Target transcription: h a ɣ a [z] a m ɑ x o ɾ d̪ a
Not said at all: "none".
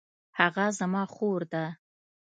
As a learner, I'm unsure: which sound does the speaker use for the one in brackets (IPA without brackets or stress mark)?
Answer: z